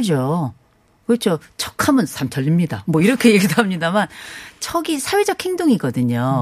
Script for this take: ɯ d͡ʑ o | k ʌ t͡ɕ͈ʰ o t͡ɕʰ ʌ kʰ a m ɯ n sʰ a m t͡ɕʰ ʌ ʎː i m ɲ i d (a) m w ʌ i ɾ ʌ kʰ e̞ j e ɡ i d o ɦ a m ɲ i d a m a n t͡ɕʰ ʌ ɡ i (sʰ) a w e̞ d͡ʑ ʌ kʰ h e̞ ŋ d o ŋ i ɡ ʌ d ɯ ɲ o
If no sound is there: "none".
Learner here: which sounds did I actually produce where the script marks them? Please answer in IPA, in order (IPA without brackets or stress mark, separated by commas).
a, sʰ